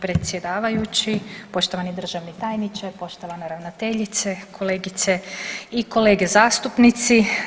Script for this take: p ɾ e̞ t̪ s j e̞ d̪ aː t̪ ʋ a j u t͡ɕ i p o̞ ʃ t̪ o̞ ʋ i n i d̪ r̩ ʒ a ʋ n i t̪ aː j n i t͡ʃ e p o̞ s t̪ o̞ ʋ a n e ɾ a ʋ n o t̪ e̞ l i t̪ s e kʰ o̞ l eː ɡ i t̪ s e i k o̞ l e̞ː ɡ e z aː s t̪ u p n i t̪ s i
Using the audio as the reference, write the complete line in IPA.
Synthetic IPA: p ɾ e̞ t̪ s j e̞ d̪ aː ʋ a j u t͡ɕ i p o̞ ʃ t̪ o̞ ʋ a n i d̪ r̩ ʒ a ʋ n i t̪ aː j n i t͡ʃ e p o̞ ʃ t̪ o̞ ʋ a n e ɾ a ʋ n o t̪ e̞ ʎ i t̪ s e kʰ o̞ l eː ɡ i t̪ s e i k o̞ l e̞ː ɡ e z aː s t̪ u p n i t̪ s i

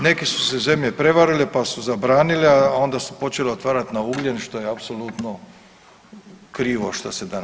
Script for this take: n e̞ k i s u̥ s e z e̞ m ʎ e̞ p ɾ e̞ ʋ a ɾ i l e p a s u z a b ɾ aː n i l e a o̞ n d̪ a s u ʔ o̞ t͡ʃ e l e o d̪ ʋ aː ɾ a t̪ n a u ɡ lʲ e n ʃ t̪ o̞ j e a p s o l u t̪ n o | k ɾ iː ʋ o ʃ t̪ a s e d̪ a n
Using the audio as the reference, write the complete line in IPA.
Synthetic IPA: n e̞ k i s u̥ s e z e̞ m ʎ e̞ p ɾ e̞ ʋ a ɾ i l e p a s u z a b ɾ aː n i l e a o̞ n d̪ a s u p o̞ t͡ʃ e l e o t̪ ʋ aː ɾ a t̪ n a u ɡ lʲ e n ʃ t̪ o̞ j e a p s o l u t̪ n o | k ɾ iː ʋ o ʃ t̪ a s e d̪ a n

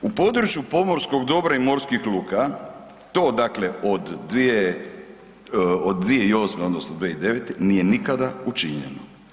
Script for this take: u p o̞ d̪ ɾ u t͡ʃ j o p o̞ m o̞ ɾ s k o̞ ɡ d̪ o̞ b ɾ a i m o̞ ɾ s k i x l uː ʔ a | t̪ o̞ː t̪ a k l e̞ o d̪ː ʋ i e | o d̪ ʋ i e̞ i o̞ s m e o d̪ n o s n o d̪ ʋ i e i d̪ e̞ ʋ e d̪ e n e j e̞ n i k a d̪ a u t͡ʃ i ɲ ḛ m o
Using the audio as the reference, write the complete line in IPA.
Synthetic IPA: u p o̞ d̪ ɾ u t͡ʃ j u p o̞ m o̞ ɾ s k o̞ ɡ d̪ o̞ b ɾ a i m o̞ ɾ s k i x l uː k a | t̪ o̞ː d̪ a k l e̞ o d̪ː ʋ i e | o d̪ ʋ i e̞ i o̞ s m e o d̪ n o s n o d̪ ʋ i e i d̪ e̞ ʋ e t̪ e n i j e̞ n i k a d̪ a u t͡ʃ i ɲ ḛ n o

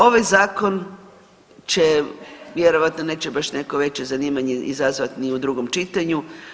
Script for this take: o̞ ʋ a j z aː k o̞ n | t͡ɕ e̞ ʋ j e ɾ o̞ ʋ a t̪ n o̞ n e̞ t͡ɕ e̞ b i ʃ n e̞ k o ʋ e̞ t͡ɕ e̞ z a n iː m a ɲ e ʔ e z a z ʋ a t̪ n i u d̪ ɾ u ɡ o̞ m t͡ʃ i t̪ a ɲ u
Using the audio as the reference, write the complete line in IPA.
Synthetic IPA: o̞ ʋ a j z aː k o̞ n | t͡ɕ e̞ ʋ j e ɾ o̞ ʋ a t̪ n o̞ n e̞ t͡ɕ e̞ b a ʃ n e̞ k o ʋ e̞ t͡ɕ e̞ z a n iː m a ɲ e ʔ i z a z ʋ a t̪ n i u d̪ ɾ u ɡ o̞ m t͡ʃ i t̪ a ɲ u

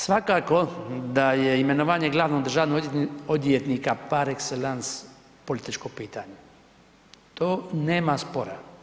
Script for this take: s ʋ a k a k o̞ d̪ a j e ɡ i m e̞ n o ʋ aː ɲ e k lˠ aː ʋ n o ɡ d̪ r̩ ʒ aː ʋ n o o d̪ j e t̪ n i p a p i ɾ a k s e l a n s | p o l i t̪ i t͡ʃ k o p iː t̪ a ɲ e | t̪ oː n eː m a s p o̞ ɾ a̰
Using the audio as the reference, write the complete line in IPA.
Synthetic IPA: s ʋ a k a k o̞ d̪ a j e i m e̞ n o ʋ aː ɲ e ɡ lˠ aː ʋ n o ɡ d̪ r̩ ʒ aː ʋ n o o d̪ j e t̪ n i k a p a ɾ e k s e l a n s | p o l i t̪ i t͡ʃ k o p iː t̪ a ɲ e | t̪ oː n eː m a s p o̞ ɾ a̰

